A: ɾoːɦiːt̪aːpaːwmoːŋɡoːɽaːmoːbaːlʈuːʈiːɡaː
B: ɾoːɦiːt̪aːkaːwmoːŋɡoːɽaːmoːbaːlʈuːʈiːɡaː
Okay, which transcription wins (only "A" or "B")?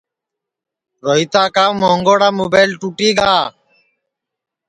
B